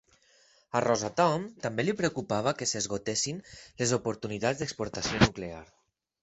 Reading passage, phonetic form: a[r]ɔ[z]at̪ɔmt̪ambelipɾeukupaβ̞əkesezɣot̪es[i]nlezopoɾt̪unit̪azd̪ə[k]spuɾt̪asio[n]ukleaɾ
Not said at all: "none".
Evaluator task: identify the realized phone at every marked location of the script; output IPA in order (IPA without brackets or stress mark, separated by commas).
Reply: r, z, i, k, n